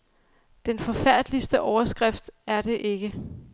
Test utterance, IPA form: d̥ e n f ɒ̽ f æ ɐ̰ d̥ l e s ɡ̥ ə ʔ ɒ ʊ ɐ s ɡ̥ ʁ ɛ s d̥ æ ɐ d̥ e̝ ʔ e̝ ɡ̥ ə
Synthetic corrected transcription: d̥ e n f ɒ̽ f æ ɐ̰ d̥ l i s d̥ ə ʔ ɒ ʊ ɐ s ɡ̥ ʁ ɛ f d̥ æ ɐ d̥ e̝ ʔ e̝ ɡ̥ ə

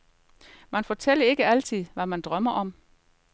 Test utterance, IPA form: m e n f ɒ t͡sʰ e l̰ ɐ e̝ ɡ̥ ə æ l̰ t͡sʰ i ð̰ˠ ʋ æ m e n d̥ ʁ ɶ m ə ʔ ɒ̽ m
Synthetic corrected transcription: m æ n f ɒ t͡sʰ e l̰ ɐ e̝ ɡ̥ ə æ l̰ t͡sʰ i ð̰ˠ ʋ æ m æ n d̥ ʁ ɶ m ɐ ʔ ɒ̽ m

